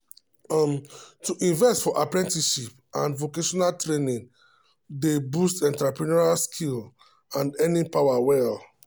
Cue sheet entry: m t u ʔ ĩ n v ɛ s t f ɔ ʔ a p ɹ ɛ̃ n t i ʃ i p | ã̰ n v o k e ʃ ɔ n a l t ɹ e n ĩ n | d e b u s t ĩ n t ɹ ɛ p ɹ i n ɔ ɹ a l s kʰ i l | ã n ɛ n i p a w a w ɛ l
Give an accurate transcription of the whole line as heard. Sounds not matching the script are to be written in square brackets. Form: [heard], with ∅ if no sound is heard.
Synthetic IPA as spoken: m t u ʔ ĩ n v ɛ s t f ɔ ʔ a p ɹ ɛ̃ n t i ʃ i p | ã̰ n v o k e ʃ ɔ n a l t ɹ e n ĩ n | d e b u s t [ɛ̃] n t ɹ [a] p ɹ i n ɔ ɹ a l s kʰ i l | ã n ɛ n i p a w a w ɛ l